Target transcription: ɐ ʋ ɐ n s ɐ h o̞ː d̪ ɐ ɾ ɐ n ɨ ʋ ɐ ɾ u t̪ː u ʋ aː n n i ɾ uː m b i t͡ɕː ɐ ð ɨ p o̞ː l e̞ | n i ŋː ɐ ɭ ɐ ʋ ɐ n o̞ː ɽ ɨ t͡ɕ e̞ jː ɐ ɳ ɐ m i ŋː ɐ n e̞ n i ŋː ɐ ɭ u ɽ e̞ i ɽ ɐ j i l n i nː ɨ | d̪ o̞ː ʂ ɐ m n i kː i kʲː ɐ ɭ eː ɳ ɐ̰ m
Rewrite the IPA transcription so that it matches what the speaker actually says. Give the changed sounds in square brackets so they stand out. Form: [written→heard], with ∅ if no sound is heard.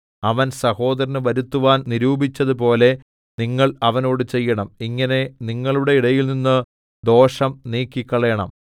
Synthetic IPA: ɐ ʋ ɐ n s ɐ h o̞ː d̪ ɐ ɾ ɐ n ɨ ʋ ɐ ɾ u t̪ː u ʋ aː n n i ɾ uː [m→∅] b i t͡ɕː ɐ ð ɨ p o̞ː l e̞ | n i ŋː ɐ ɭ ɐ ʋ ɐ n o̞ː ɽ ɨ t͡ɕ e̞ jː ɐ ɳ ɐ m i ŋː ɐ n e̞ n i ŋː ɐ ɭ u ɽ e̞ i ɽ ɐ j i l n i nː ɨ | d̪ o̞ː ʂ ɐ m n [i→iː] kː i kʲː ɐ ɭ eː ɳ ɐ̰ m